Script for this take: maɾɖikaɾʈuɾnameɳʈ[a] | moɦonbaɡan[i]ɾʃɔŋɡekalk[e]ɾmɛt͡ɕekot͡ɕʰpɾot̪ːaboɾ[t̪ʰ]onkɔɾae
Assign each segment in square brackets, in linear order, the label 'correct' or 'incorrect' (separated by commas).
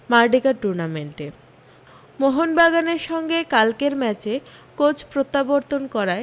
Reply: incorrect, incorrect, correct, incorrect